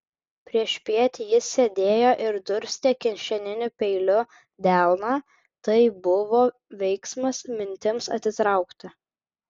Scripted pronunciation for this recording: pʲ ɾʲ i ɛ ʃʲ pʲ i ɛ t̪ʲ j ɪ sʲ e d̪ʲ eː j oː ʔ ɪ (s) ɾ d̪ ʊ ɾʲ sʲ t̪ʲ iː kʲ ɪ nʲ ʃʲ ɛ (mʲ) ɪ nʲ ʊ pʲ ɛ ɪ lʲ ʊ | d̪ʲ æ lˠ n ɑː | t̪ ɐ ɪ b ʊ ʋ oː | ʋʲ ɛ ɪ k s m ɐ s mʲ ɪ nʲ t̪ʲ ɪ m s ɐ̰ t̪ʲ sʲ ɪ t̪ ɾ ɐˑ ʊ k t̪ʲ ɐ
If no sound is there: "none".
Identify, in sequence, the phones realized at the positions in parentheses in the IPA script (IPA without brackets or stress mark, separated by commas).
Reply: none, nʲ